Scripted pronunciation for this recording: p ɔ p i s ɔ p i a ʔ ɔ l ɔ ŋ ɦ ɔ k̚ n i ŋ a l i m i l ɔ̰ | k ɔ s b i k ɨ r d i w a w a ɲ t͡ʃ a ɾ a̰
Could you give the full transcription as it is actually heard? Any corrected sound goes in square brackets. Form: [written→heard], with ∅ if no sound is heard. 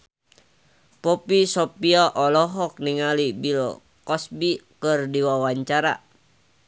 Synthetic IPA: p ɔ p i s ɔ p i a ʔ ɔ l ɔ [ŋ→∅] ɦ ɔ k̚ n i ŋ a l i [m→b] i l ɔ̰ | k ɔ s b i k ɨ r d i w a w a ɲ t͡ʃ a ɾ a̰

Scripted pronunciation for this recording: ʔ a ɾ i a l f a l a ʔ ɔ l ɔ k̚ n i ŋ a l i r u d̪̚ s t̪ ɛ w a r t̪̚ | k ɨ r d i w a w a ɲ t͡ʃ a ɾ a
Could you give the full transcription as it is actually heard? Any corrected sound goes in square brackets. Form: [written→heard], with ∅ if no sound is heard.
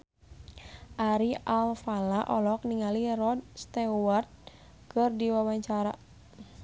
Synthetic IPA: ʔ a ɾ i a l f a l a ʔ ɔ l ɔ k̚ n i ŋ a l i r [u→ɔ] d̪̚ s t̪ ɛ w a r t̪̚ | k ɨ r d i w a w a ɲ t͡ʃ a ɾ a

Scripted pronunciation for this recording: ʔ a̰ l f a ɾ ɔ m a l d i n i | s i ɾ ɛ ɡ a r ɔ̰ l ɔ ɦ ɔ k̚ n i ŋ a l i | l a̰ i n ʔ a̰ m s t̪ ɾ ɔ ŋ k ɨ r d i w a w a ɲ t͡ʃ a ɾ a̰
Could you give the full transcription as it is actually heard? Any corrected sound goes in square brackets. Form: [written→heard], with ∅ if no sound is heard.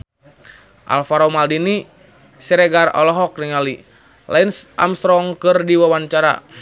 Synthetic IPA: ʔ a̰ l f a ɾ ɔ m a l d i n i | s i ɾ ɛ ɡ a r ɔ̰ l ɔ ɦ ɔ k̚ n i ŋ a l i | l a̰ i n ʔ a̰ m s t̪ ɾ ɔ ŋ k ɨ r d i w a w a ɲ t͡ʃ a ɾ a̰

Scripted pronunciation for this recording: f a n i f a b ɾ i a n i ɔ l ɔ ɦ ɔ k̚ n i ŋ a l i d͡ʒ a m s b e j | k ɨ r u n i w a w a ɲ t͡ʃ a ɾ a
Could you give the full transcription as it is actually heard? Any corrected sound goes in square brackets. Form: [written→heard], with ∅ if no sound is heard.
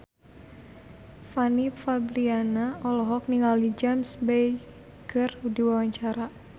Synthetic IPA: f a n i f a b ɾ i a n [i→a] ɔ l ɔ ɦ ɔ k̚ n i ŋ a l i d͡ʒ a m s b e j | k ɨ r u [n→d] i w a w a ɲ t͡ʃ a ɾ a

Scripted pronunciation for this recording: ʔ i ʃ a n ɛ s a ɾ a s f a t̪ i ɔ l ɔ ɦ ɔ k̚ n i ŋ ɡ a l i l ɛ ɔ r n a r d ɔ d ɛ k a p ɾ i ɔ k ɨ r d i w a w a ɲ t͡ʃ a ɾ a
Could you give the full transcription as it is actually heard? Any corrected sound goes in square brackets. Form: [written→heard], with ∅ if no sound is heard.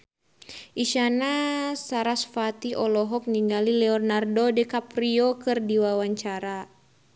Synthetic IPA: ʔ i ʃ a n [ɛ→a] s a ɾ a s f a t̪ i ɔ l ɔ ɦ ɔ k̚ n i ŋ ɡ a l i l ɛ ɔ r n a r d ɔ d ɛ k a p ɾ i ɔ k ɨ r d i w a w a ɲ t͡ʃ a ɾ a

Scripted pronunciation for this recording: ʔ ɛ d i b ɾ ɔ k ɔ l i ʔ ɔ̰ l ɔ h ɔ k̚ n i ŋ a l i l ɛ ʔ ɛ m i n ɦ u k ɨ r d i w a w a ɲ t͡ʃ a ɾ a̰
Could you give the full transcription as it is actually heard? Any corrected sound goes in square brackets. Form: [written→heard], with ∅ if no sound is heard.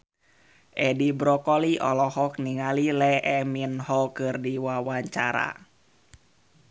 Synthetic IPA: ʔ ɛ d i b ɾ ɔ k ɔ l i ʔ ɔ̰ l ɔ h ɔ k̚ n i ŋ a l i l ɛ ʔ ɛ m i n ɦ [u→ɔ] k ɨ r d i w a w a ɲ t͡ʃ a ɾ a̰

